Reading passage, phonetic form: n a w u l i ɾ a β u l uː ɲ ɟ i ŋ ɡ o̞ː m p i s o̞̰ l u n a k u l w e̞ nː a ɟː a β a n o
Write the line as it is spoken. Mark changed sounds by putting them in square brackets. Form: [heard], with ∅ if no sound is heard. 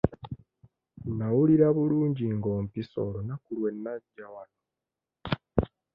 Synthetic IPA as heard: n a w u l i ɾ a β u l uː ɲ ɟ i ŋ ɡ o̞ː m p i s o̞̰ l [o] n a k u l w e̞ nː a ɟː a [w] a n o